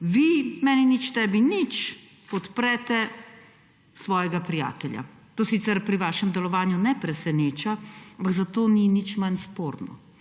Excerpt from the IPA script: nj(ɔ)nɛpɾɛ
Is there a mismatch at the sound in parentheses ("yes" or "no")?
yes